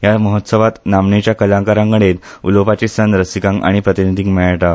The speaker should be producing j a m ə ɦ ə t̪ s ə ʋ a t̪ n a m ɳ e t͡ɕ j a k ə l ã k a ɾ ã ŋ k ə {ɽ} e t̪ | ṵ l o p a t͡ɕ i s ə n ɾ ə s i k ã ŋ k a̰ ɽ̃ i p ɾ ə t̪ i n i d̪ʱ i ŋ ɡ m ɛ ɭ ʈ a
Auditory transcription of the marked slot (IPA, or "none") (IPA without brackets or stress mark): ɽ